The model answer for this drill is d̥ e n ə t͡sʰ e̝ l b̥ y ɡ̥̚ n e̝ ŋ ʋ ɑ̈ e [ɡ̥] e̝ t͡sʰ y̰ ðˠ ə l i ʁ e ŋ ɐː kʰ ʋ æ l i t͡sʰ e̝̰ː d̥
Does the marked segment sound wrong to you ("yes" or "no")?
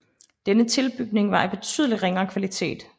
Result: yes